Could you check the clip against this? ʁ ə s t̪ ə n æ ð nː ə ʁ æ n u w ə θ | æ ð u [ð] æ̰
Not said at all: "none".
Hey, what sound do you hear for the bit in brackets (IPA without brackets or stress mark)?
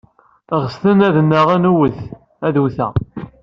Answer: θ